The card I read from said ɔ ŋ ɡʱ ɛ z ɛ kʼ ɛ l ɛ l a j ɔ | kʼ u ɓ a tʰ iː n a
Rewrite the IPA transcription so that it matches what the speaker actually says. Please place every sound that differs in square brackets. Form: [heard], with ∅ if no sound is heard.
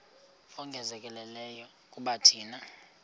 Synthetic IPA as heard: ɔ ŋ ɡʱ ɛ z ɛ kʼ ɛ l ɛ l [ɛ] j ɔ | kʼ u ɓ a tʰ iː n a